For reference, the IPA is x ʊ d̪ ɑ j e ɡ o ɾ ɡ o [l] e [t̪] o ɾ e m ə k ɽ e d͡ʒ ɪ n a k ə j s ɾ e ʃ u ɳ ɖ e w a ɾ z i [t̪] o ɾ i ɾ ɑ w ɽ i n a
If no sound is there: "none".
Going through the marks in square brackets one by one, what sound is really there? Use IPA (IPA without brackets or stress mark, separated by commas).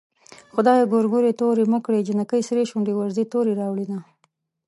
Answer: ɾ, t̪, t̪